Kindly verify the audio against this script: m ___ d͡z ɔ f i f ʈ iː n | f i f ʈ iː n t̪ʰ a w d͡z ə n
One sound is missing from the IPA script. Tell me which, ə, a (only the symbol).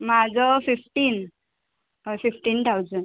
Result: a